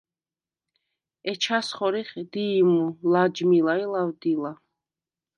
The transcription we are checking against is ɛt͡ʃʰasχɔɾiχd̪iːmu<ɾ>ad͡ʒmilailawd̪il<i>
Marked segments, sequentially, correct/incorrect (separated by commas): incorrect, incorrect